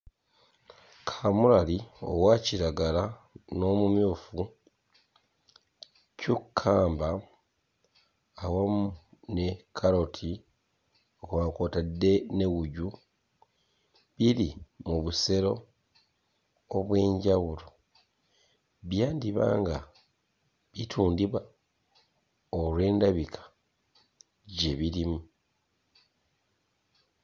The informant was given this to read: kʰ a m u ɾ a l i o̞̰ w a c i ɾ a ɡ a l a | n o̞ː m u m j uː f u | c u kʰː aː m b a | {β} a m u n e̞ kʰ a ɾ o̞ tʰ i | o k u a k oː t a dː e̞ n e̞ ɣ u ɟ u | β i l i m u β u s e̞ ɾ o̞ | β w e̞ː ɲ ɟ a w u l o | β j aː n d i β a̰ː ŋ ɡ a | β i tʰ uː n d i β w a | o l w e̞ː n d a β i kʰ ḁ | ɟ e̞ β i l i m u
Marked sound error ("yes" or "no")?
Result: yes